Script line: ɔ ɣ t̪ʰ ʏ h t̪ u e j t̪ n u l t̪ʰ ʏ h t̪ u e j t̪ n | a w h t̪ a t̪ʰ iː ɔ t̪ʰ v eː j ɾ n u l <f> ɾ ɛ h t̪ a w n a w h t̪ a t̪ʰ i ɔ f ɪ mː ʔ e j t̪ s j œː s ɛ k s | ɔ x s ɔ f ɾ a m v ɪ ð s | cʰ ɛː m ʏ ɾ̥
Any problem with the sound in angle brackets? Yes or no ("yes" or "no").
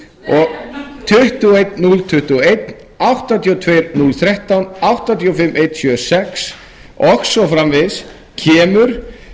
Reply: yes